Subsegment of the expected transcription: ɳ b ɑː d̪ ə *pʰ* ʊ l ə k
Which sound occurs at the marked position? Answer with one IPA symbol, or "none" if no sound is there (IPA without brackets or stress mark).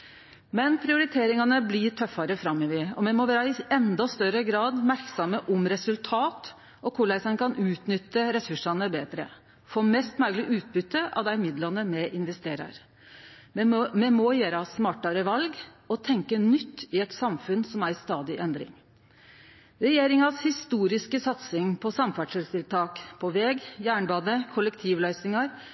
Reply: kʰ